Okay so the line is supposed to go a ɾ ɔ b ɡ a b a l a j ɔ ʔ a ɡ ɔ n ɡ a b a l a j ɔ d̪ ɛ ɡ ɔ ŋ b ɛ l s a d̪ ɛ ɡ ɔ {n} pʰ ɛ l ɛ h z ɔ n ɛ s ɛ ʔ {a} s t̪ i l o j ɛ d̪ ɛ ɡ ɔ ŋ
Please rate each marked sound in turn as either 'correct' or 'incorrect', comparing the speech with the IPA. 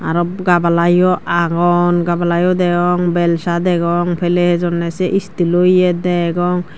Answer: incorrect, incorrect

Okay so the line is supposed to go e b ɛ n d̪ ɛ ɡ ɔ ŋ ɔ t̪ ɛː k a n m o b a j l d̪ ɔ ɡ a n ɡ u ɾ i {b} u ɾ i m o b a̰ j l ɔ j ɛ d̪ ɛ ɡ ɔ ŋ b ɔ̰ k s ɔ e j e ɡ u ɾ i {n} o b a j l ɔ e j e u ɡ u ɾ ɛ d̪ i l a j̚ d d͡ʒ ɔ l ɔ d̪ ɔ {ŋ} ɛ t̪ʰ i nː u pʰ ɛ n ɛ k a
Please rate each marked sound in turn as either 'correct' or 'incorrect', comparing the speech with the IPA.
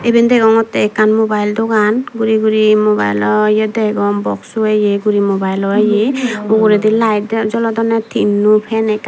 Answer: incorrect, incorrect, incorrect

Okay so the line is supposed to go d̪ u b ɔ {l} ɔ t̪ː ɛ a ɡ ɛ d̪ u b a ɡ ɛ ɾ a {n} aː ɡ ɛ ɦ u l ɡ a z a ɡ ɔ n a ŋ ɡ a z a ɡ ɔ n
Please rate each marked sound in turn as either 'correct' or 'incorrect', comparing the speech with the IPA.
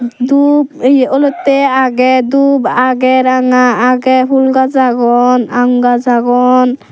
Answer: correct, incorrect

